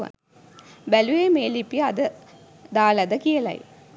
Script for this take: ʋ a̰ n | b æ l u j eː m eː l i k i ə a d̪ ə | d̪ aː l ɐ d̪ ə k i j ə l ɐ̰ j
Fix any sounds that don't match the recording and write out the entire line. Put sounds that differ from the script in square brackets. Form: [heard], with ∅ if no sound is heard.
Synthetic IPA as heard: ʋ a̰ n | b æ l u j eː m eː l i [p] i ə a d̪ ə | d̪ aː l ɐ d̪ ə k i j ə l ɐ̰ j